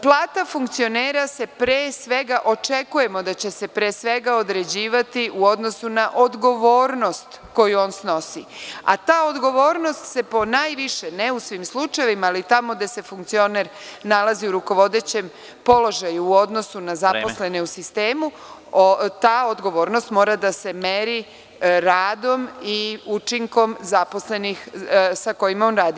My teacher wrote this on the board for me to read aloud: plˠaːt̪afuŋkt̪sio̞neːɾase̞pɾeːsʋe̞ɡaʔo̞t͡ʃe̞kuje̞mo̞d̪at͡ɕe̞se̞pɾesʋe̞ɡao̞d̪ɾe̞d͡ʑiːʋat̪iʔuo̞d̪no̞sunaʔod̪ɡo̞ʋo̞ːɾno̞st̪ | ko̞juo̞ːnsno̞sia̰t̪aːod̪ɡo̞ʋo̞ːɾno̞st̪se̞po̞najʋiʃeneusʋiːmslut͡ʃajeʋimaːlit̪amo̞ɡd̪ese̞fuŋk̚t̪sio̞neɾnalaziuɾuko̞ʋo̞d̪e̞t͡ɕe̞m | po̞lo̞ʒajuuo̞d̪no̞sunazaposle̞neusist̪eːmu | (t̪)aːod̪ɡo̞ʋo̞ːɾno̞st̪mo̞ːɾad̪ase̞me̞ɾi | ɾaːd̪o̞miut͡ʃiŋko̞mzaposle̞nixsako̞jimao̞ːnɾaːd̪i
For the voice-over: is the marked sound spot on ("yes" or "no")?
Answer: yes